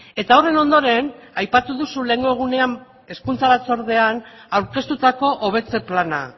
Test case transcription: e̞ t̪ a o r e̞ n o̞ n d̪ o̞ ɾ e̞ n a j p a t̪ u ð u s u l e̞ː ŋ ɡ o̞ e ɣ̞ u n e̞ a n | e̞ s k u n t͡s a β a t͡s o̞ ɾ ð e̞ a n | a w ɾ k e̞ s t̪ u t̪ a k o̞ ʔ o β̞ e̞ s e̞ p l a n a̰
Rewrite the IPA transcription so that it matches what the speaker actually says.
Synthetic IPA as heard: e̞ t̪ a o r e̞ n o̞ n d̪ o̞ ɾ e̞ n a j p a t̪ u ð u s u l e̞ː ŋ ɡ o̞ e ɣ̞ u n e̞ a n | e̞ s k u n t͡s a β a t͡s o̞ ɾ ð e̞ a n | a w ɾ k e̞ s t̪ u t̪ a k o̞ ʔ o β̞ e̞ t͡s e̞ p l a n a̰